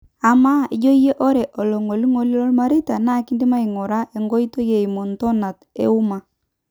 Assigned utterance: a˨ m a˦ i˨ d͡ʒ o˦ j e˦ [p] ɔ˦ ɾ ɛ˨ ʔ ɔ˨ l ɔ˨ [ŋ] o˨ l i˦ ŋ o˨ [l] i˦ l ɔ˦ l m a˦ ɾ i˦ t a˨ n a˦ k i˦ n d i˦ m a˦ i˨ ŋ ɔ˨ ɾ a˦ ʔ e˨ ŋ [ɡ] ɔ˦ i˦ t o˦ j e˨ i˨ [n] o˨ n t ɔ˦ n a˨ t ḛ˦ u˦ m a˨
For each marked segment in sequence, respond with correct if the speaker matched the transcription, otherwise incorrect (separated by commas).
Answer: incorrect, correct, correct, correct, incorrect